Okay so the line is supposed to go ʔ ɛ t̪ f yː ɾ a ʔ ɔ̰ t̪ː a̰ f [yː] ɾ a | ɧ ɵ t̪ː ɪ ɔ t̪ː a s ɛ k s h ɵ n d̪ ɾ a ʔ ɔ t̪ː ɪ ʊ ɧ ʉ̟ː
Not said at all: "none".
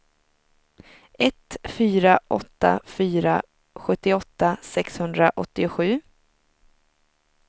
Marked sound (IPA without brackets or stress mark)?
yː